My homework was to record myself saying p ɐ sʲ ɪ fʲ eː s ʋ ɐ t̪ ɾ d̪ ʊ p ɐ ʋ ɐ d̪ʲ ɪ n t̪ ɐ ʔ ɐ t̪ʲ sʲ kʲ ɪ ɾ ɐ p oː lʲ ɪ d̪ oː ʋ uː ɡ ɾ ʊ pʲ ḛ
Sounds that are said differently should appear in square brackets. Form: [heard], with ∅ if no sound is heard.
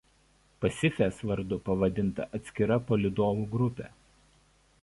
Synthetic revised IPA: p ɐ sʲ ɪ fʲ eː s ʋ ɐ [∅] ɾ d̪ ʊ p ɐ ʋ ɐ d̪ʲ ɪ n t̪ ɐ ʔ ɐ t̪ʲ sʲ kʲ ɪ ɾ ɐ p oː lʲ ɪ d̪ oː ʋ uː ɡ ɾ ʊ pʲ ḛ